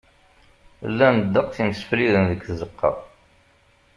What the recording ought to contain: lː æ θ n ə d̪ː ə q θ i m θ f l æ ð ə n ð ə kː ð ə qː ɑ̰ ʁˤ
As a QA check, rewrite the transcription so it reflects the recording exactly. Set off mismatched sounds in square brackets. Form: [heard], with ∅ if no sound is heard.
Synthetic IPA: lː æ [∅] n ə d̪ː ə q θ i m [s] f l [i] ð ə n ð ə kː [z] ə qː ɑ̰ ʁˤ